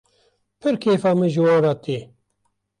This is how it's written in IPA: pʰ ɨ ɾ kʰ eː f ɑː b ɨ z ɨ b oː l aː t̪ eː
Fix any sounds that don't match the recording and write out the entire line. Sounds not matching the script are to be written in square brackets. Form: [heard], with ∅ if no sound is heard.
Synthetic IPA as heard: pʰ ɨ ɾ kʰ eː f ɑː [m] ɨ [ʒ] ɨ [w] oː [ɾ] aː t̪ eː